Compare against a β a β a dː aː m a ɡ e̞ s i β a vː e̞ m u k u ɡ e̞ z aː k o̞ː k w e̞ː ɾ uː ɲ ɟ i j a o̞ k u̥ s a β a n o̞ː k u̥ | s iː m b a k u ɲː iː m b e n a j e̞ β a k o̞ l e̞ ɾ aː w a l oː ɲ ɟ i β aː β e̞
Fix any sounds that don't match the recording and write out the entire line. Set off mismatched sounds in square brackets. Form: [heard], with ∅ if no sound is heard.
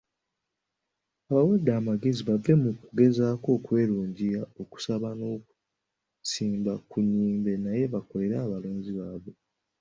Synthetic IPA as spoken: a β a [w] a dː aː m a ɡ e̞ [z] i β a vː e̞ m u k u ɡ e̞ z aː k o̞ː k w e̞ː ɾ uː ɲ ɟ i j a o̞ k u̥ s a β a n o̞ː k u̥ | s iː m b a k u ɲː iː m b e n a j e̞ β a k o̞ l e̞ ɾ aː [β] a l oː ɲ ɟ i β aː β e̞